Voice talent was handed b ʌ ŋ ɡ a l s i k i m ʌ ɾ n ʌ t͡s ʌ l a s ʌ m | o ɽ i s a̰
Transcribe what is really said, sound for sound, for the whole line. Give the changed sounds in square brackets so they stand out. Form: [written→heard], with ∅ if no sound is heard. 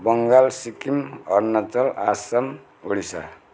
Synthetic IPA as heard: b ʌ ŋ ɡ a l s i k i m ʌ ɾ n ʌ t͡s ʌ l a s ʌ m | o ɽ i s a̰